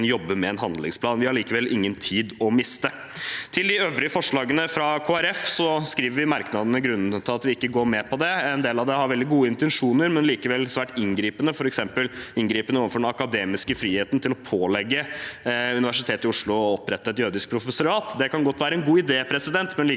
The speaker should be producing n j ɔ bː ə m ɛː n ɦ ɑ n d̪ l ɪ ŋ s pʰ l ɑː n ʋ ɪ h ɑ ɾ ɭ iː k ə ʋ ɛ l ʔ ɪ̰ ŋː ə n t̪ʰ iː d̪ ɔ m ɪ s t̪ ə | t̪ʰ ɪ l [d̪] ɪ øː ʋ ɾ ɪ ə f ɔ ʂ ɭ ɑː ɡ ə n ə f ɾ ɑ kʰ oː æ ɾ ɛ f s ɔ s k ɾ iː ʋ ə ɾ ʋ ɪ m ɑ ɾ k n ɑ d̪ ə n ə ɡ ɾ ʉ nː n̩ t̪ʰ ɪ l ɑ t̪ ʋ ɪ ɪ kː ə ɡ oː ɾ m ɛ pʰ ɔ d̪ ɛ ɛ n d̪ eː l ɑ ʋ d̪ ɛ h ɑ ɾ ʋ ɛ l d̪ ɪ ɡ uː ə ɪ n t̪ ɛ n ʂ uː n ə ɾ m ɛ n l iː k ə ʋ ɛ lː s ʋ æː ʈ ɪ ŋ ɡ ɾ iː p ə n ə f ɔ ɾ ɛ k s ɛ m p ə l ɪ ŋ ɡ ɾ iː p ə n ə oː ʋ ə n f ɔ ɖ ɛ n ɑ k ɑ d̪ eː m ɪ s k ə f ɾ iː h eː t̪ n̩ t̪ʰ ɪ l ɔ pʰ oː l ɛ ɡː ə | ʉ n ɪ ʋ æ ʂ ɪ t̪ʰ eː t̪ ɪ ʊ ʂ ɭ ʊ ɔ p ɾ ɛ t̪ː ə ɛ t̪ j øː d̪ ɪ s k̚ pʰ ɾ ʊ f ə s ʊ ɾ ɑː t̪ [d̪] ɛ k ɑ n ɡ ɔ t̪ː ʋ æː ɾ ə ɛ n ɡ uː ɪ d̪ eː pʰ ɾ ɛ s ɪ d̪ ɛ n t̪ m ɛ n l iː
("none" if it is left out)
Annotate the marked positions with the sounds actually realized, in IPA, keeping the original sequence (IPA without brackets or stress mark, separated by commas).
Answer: d̪, d̪